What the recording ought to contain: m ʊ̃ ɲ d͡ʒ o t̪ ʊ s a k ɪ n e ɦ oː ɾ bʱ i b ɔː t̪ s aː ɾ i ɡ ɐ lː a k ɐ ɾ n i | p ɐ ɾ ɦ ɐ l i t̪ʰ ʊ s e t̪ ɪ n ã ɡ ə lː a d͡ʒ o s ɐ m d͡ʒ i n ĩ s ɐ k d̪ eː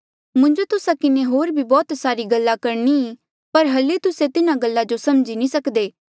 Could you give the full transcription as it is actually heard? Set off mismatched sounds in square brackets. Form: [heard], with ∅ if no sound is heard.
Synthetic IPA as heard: m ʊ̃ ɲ d͡ʒ o t̪ ʊ s a k ɪ n e ɦ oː ɾ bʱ i b ɔː t̪ s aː ɾ i ɡ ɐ lː a k ɐ ɾ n i | p ɐ ɾ ɦ ɐ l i [t̪] ʊ s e t̪ ɪ n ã ɡ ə lː a d͡ʒ o s ɐ m d͡ʒ i n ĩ s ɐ k d̪ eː